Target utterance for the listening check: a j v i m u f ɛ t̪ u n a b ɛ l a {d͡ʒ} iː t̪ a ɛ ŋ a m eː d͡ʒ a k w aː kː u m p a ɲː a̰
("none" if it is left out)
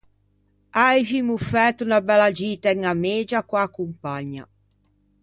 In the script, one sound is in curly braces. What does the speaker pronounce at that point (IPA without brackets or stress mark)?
d͡ʒ